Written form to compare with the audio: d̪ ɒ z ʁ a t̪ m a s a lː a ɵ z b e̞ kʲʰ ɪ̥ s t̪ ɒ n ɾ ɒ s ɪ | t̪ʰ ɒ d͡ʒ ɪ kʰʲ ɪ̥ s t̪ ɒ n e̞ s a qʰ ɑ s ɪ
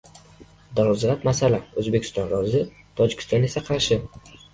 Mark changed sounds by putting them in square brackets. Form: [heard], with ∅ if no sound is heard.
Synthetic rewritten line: d̪ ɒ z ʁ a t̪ m a s a [l] a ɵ z b e̞ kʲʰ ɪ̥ s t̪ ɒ n ɾ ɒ [z] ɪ | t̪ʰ ɒ d͡ʒ ɪ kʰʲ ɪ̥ s t̪ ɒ n e̞ s a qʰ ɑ [ʃ] ɪ